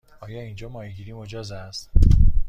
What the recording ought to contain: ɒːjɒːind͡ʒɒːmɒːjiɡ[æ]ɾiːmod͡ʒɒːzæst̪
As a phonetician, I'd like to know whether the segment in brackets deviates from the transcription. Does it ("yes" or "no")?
yes